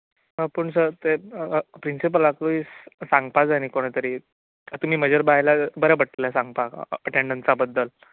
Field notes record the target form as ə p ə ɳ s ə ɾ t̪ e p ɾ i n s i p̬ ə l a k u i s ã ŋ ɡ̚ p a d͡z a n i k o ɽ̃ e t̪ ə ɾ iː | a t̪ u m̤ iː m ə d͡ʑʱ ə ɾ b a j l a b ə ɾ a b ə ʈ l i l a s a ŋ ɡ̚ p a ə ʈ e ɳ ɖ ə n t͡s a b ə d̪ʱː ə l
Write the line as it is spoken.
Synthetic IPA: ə p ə ɳ s ə ɾ t̪ e p ɾ i n s i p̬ ə l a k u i s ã ŋ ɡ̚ p a d͡z a n i k o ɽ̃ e t̪ ə ɾ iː | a t̪ u m̤ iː m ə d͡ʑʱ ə ɾ b a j l a b ə ɾ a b ə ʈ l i l a s a ŋ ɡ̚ p a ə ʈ e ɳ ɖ ə n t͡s a b ə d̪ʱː ə l